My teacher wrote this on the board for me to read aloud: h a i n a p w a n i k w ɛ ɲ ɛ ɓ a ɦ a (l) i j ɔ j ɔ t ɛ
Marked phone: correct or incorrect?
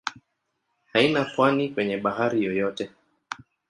incorrect